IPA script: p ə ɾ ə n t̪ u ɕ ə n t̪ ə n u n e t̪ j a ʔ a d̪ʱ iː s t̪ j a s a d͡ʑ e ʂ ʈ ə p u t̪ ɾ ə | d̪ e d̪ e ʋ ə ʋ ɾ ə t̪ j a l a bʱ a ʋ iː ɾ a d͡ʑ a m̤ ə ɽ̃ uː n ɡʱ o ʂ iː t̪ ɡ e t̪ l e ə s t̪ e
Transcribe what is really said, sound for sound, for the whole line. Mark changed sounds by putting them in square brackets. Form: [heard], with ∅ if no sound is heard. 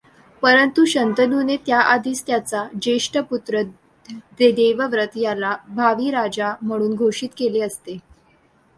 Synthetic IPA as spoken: p ə ɾ ə n t̪ u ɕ ə n t̪ ə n u n e t̪ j a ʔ a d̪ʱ iː s t̪ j a [t͡s] a d͡ʑ e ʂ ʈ ə p u t̪ ɾ ə | d̪ e d̪ e ʋ ə ʋ ɾ ə t̪ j a l a bʱ a ʋ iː ɾ a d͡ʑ a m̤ ə ɽ̃ uː n ɡʱ o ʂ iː t̪ [k] e [∅] l e ə s t̪ e